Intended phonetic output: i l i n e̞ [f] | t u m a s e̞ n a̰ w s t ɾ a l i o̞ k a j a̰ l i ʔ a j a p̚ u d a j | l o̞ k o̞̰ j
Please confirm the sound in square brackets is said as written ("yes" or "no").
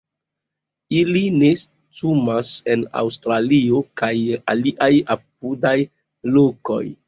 no